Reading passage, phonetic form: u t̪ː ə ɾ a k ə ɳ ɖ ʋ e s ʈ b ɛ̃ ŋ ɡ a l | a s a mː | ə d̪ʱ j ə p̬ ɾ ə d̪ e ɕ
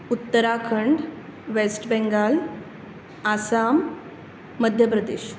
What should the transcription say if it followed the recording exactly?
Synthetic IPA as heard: u t̪ː ə ɾ a kʰ ə ɳ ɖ ʋ e s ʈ b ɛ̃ ŋ ɡ a l | a s a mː | ə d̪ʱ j ə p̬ ɾ ə d̪ e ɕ